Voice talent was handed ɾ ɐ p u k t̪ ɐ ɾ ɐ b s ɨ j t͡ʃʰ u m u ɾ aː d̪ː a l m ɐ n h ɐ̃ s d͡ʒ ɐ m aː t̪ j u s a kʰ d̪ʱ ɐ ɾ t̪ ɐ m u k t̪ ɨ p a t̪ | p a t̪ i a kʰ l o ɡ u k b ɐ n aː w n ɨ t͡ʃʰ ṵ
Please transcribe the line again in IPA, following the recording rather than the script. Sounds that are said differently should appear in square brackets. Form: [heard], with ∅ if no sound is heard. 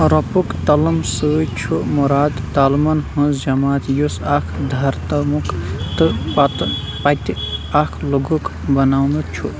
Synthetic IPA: ɾ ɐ p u k t̪ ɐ [l] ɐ [m] s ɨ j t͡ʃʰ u m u ɾ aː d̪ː a l m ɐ n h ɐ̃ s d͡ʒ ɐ m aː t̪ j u s a kʰ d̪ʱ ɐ ɾ t̪ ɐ m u k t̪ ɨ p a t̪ | p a t̪ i a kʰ l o ɡ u k b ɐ n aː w n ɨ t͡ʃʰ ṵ